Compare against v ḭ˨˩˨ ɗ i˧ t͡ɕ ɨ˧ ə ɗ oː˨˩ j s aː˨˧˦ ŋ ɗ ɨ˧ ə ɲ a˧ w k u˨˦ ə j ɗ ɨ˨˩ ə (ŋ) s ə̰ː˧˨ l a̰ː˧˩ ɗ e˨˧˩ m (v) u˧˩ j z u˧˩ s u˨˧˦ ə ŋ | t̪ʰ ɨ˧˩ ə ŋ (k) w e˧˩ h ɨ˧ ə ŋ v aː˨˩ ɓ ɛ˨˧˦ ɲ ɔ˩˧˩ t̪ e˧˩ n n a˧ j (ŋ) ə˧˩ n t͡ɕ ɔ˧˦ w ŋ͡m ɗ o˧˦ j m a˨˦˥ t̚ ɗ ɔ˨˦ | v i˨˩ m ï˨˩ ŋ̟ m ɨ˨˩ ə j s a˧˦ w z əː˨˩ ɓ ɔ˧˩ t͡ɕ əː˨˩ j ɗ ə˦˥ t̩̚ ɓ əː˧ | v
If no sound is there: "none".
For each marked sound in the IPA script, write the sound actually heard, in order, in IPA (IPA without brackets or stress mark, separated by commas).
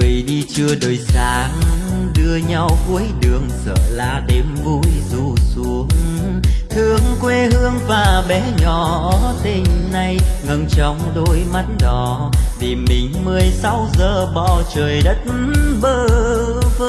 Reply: ŋ, v, k, ŋ